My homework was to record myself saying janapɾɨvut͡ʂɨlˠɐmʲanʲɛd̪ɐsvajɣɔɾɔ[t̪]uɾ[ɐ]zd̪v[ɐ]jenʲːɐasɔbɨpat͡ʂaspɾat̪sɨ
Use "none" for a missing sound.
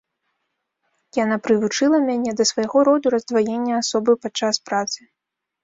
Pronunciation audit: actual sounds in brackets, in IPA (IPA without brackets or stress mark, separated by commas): d̪, ɐ, a